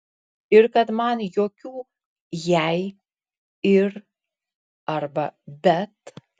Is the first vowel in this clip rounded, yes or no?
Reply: no